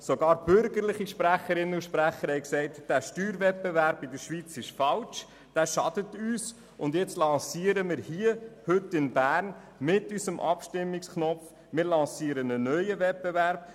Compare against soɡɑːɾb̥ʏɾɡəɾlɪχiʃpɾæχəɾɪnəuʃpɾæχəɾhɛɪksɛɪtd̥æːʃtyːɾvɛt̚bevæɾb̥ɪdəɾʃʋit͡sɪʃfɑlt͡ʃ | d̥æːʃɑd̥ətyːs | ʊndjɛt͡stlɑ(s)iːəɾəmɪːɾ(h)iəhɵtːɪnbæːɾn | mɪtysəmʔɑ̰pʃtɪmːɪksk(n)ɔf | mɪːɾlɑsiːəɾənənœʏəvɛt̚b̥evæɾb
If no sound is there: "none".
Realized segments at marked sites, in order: s, h, n

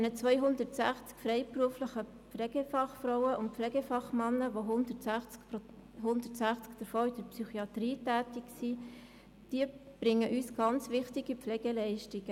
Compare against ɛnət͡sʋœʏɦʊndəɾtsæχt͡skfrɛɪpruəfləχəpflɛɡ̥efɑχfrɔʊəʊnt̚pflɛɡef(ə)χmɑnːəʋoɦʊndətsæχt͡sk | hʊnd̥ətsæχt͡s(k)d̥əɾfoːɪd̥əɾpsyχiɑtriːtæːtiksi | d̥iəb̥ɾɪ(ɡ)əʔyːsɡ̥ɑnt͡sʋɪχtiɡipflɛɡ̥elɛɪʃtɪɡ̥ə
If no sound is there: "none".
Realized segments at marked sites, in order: ɑ, k, ŋ

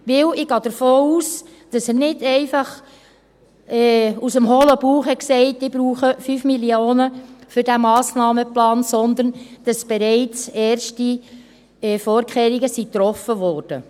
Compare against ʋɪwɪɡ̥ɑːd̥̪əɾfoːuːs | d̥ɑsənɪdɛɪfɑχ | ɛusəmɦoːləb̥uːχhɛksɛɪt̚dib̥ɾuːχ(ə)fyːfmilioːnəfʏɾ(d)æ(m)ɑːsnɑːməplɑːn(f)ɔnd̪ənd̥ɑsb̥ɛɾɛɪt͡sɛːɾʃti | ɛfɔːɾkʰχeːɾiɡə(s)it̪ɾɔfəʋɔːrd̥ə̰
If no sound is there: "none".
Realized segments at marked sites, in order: ə, d, m, s, s

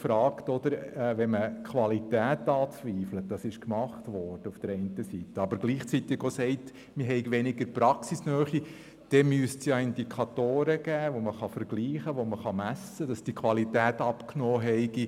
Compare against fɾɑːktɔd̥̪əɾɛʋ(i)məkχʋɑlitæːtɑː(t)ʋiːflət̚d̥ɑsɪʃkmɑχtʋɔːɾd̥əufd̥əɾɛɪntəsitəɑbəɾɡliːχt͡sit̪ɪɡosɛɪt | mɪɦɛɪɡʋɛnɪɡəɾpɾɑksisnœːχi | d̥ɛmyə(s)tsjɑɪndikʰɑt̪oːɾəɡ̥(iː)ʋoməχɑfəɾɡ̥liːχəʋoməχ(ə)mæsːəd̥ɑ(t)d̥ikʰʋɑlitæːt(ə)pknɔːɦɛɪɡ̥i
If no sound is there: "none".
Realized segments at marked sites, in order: ɛ, t͡s, s, æː, ɑ, s, ɑ

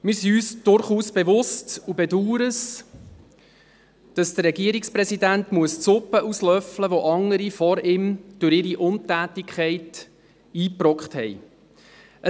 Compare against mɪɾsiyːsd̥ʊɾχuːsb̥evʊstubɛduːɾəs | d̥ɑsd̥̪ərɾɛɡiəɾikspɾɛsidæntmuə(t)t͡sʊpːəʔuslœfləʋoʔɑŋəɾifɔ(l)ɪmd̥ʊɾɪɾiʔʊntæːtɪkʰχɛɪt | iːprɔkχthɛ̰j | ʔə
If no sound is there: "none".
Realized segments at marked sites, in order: s, ɾ

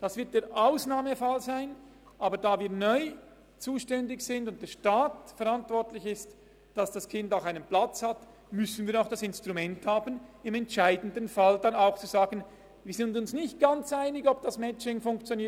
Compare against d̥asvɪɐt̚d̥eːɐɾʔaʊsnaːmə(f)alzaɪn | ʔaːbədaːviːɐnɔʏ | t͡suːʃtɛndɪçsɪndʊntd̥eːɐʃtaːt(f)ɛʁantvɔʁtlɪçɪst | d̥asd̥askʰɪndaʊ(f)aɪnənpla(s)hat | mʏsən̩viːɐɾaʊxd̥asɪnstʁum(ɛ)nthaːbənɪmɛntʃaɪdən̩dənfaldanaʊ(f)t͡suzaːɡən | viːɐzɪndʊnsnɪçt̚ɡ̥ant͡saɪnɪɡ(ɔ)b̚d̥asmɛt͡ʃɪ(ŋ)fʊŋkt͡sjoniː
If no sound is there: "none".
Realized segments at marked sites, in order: f, f, x, t͡s, ɛ, x, ɔ, ŋ

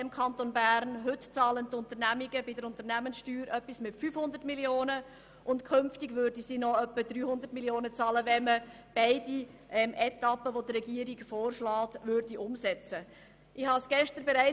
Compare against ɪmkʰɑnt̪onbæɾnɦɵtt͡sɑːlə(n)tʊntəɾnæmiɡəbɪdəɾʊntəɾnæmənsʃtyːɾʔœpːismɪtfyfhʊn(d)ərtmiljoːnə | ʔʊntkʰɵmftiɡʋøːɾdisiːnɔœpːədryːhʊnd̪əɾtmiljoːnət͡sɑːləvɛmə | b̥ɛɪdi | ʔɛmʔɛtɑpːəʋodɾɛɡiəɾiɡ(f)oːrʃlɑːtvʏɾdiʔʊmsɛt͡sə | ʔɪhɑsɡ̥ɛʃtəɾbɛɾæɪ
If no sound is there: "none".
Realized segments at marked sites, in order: n, d, f

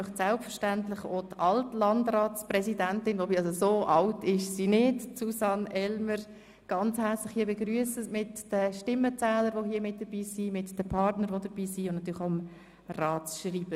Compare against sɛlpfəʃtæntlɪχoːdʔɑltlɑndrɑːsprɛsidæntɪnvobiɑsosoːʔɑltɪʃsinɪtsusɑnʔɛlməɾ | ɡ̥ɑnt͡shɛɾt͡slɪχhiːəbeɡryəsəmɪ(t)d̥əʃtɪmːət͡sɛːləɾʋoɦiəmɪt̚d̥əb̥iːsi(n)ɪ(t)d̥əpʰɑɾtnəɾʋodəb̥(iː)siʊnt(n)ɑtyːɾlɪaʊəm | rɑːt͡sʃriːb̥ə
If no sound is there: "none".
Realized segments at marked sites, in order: t, m, t, iː, n

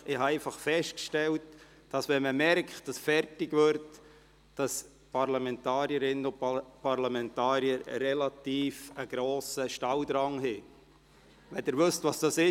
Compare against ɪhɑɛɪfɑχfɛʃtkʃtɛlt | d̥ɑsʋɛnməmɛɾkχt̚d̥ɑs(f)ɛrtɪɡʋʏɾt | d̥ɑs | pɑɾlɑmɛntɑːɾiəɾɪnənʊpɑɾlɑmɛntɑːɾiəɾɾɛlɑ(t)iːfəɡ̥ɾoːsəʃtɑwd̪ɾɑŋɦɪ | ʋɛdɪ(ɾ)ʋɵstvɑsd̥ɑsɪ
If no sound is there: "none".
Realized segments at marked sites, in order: f, t, ɾ

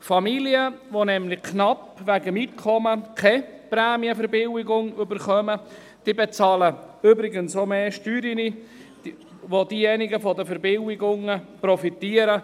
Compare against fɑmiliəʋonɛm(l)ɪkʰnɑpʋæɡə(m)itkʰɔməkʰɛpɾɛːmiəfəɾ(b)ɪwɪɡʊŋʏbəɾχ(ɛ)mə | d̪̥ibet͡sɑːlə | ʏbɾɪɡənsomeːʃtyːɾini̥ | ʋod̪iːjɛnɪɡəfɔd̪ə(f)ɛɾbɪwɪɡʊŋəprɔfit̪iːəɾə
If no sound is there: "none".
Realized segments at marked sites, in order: l, m, b, œ, f

